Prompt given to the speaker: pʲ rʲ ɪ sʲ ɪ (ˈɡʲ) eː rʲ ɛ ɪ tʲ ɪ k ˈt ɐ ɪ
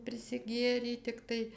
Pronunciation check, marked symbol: correct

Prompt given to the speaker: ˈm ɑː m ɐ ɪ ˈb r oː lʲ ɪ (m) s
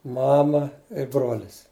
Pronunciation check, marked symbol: incorrect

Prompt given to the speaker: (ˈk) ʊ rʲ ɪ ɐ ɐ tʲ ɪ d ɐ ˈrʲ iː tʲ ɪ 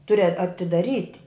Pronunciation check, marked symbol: incorrect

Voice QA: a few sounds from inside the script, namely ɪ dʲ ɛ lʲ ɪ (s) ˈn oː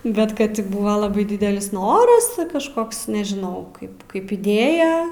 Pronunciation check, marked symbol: correct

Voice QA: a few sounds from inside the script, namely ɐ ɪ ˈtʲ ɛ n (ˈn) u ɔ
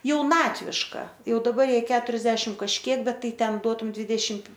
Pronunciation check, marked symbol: incorrect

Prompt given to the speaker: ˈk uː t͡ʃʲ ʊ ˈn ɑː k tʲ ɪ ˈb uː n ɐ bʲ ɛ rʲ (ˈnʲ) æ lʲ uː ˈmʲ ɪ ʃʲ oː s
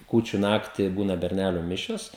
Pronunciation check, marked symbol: correct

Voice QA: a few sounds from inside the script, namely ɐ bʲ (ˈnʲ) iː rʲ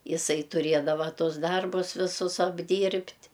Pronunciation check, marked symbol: incorrect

